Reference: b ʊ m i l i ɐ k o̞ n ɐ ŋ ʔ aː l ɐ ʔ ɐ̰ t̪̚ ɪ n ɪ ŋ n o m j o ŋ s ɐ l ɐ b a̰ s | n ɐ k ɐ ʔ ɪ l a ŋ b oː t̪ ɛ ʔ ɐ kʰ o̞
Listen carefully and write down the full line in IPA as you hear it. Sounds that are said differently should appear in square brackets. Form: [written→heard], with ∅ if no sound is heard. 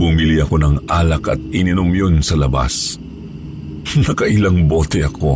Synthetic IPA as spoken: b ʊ m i l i ɐ k o̞ n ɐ ŋ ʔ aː l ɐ [ʔ→k] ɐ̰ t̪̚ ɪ n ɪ [ŋ→∅] n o m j o [ŋ→n] s ɐ l ɐ b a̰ s | n ɐ k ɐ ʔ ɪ l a ŋ b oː t̪ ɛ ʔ ɐ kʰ o̞